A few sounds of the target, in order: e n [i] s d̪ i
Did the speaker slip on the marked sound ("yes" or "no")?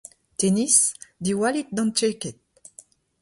no